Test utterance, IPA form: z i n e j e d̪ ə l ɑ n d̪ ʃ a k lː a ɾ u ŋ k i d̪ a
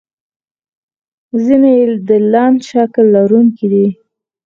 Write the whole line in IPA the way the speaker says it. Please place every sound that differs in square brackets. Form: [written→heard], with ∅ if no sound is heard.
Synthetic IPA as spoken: z i n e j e d̪ ə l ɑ n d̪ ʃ a k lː a ɾ u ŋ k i d̪ [a→i]